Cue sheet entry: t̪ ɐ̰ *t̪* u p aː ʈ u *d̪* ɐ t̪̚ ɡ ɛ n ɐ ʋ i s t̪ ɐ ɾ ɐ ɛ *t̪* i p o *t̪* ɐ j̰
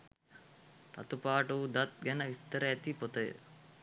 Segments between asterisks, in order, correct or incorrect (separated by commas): correct, correct, correct, correct